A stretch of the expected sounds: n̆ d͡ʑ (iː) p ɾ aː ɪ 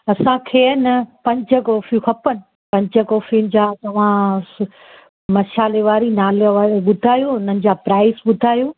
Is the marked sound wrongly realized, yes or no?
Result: yes